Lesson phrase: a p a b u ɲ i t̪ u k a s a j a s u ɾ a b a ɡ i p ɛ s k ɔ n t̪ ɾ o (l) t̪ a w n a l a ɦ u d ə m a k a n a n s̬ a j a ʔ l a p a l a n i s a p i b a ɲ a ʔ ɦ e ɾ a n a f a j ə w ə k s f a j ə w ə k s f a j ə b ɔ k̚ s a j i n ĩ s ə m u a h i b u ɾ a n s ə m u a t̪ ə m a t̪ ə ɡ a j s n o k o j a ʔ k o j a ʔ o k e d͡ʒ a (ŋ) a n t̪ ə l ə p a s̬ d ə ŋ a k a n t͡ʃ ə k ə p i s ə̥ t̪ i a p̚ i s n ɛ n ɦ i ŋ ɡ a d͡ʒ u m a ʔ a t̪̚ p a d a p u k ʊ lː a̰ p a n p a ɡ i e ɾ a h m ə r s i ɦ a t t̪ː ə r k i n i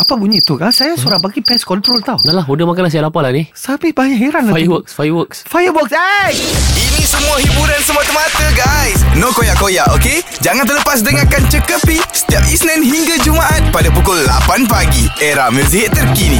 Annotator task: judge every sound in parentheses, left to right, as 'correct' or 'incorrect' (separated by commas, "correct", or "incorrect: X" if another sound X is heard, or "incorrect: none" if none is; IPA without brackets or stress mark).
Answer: correct, correct